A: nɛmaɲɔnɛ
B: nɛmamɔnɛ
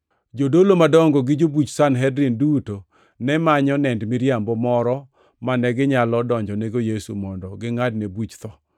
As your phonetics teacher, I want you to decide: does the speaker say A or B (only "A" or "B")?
A